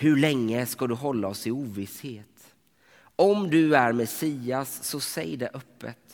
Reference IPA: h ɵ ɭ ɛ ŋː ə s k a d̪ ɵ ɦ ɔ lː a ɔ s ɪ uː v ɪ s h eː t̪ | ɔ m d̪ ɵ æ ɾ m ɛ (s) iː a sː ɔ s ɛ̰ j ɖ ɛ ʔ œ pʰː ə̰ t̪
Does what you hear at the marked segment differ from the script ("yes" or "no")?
no